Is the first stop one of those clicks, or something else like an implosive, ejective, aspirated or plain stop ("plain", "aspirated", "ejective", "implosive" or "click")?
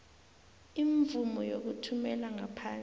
plain